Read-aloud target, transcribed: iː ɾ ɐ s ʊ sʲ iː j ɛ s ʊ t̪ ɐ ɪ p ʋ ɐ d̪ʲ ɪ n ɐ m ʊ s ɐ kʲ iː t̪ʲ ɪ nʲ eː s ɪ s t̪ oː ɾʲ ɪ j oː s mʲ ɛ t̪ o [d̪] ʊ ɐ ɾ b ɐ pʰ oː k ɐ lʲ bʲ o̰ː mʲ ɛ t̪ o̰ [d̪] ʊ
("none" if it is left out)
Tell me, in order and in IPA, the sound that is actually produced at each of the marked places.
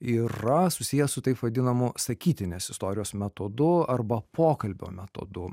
d̪, d̪

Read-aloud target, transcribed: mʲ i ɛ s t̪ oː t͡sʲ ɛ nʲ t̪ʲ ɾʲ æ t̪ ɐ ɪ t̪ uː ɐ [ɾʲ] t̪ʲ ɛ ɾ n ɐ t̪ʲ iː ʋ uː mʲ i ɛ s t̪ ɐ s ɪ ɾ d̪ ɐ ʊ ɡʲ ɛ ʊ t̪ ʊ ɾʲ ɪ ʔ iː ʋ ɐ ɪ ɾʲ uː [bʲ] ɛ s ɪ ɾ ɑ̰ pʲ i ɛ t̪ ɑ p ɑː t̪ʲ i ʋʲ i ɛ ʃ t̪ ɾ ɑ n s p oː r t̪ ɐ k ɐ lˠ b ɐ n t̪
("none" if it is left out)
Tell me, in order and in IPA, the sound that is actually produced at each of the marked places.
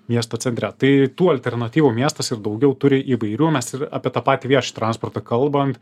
lʲ, mʲ

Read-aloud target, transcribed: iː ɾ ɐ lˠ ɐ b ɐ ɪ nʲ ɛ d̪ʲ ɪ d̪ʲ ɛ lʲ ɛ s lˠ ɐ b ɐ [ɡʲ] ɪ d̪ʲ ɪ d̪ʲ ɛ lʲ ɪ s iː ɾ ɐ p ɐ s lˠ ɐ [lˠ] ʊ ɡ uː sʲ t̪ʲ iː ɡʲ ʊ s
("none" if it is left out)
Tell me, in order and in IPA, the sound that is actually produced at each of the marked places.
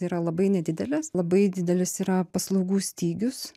none, none

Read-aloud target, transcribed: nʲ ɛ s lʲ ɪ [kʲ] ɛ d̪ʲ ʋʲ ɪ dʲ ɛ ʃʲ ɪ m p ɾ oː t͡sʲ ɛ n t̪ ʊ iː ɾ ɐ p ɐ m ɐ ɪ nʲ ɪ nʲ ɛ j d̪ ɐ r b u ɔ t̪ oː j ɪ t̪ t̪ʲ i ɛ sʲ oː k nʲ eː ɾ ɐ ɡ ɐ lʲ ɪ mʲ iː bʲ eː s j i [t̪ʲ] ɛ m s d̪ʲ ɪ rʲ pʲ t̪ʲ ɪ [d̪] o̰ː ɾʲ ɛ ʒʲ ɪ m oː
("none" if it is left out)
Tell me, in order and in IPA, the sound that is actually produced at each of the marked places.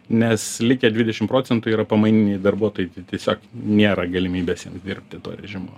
kʲ, none, t̪

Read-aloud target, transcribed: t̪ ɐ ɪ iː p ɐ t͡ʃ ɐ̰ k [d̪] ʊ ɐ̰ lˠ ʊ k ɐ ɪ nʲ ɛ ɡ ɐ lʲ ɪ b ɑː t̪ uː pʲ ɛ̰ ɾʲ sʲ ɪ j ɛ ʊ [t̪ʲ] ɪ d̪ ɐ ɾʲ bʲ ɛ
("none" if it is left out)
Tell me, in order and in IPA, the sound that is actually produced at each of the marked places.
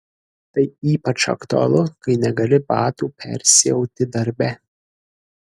t̪, t̪ʲ

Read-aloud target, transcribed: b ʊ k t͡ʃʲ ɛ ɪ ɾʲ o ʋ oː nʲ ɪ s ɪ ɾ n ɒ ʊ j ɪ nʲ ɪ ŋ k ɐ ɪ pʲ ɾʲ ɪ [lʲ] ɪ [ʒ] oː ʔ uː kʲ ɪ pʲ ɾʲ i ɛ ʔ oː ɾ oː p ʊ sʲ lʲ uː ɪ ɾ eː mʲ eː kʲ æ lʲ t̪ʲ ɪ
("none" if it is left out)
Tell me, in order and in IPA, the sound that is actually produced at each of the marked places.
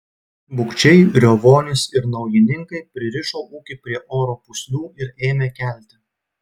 ɾʲ, ʃ

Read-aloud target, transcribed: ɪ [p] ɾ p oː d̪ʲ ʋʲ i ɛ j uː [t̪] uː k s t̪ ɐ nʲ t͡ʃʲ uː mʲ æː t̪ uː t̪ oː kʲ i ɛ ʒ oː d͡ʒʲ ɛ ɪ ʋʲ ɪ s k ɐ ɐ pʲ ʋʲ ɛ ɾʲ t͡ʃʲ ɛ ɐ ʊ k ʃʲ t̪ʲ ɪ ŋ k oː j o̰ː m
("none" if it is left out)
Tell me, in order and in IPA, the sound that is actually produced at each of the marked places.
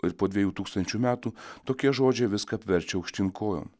none, t̪

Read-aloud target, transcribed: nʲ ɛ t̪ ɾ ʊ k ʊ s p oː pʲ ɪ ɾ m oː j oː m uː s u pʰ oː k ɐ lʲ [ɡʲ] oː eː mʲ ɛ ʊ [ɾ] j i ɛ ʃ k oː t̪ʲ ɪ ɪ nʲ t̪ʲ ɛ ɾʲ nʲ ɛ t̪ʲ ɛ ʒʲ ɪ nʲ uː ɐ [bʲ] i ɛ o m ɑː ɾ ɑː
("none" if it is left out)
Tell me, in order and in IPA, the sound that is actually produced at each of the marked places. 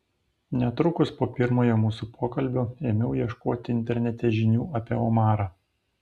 bʲ, none, pʲ

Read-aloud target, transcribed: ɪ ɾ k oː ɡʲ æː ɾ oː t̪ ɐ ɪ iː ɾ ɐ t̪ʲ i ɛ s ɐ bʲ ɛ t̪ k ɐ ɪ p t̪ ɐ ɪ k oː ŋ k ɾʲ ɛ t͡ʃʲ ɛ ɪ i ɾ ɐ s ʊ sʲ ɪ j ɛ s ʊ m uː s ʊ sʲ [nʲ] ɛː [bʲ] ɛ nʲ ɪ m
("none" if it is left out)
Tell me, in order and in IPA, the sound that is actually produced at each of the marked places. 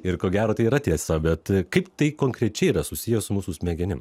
mʲ, ɡʲ

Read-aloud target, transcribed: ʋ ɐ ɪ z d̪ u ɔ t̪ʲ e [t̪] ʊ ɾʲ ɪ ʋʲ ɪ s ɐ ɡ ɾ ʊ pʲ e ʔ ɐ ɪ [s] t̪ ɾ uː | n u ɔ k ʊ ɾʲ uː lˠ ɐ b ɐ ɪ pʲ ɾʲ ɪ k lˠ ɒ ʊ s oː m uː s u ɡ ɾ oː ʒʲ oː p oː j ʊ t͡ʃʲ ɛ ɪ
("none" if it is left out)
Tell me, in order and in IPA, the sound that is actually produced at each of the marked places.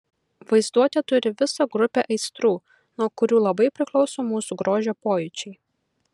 t̪, s

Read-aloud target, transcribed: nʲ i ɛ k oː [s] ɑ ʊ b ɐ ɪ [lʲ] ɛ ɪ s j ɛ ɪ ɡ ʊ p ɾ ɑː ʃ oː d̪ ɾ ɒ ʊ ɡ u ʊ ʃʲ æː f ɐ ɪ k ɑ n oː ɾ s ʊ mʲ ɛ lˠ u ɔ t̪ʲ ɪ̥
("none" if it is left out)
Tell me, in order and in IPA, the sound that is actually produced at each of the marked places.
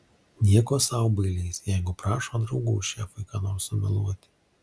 s, lʲ

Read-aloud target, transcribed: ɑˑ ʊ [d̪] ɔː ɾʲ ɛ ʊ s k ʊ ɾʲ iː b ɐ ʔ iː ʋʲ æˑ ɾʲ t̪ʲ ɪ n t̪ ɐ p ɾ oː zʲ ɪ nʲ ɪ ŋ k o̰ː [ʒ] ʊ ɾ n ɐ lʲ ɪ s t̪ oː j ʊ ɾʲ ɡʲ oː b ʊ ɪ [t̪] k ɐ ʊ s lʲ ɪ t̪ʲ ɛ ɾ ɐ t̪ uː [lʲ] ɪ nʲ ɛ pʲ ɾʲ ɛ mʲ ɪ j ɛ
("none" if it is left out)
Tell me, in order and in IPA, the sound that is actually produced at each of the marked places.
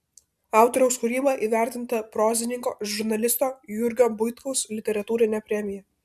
t̪, ʒ, t̪, ɾʲ

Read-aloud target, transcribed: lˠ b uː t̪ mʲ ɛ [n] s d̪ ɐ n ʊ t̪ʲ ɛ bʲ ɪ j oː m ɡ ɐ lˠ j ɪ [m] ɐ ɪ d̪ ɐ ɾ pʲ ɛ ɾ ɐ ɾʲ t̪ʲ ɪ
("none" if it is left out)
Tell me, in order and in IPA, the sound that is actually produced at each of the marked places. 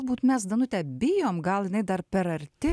none, n

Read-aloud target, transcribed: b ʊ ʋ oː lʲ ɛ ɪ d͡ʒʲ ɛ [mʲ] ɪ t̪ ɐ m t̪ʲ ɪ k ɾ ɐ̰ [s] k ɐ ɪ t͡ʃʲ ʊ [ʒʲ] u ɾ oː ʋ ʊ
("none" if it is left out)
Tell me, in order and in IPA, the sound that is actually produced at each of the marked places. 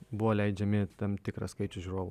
mʲ, s, ʒʲ

